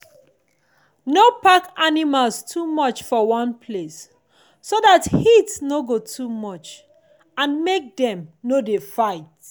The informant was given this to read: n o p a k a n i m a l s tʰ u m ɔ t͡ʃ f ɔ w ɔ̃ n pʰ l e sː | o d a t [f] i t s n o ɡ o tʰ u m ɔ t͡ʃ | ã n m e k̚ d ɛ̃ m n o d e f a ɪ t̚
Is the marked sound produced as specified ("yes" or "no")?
no